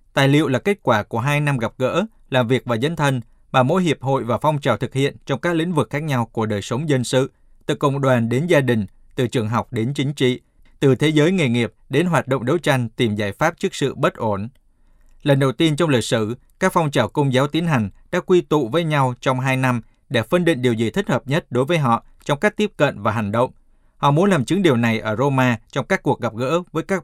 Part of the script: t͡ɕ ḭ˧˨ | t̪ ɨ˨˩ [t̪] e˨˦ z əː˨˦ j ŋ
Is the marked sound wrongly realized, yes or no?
yes